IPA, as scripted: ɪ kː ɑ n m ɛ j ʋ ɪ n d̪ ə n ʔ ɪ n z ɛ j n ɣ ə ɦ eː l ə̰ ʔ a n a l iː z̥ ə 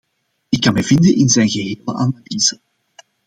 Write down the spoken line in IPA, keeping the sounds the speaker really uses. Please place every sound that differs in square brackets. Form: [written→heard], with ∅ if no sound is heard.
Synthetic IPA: ɪ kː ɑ n m ɛ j [ʋ→v] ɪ n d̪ ə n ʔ ɪ n z ɛ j n ɣ ə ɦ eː l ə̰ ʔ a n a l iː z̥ ə